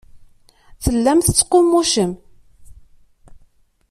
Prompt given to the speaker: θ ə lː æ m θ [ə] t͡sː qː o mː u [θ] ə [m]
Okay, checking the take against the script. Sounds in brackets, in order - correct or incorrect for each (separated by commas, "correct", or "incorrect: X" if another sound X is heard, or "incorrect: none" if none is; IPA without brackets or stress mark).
correct, incorrect: ʃ, correct